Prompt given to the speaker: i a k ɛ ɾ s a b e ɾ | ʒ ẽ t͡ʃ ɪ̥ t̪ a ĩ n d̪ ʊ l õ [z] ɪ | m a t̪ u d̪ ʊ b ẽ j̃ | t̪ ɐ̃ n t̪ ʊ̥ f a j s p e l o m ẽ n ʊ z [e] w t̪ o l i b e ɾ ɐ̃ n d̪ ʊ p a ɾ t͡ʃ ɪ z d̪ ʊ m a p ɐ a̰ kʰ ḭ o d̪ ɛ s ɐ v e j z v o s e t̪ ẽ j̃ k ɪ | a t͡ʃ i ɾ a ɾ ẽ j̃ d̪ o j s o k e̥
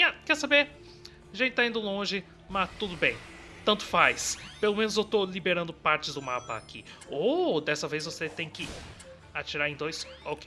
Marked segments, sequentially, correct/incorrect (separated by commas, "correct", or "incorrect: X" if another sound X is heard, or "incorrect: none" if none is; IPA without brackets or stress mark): incorrect: ʒ, correct